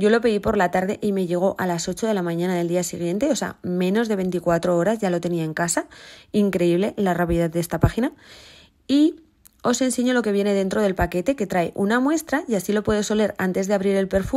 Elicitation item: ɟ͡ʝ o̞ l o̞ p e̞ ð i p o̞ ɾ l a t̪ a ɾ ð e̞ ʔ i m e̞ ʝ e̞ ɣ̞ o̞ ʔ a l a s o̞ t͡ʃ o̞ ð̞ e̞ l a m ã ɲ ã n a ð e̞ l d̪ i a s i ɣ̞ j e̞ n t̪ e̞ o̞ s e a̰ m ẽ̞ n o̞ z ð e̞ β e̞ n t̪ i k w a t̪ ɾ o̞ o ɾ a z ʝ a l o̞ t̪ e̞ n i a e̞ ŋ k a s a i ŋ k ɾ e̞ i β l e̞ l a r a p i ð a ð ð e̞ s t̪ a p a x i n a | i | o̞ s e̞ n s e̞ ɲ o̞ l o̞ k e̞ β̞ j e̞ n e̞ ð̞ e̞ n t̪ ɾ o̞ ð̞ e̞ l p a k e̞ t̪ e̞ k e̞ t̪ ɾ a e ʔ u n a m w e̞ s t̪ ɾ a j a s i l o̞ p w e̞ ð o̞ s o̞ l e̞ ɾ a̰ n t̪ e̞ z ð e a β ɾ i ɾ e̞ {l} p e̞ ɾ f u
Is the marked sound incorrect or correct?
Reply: correct